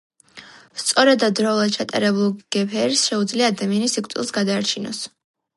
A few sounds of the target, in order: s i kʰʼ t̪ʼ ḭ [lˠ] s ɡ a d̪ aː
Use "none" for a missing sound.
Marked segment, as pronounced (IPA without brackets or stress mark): lˠ